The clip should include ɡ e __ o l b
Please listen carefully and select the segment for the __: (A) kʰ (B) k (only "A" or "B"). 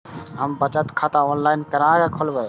A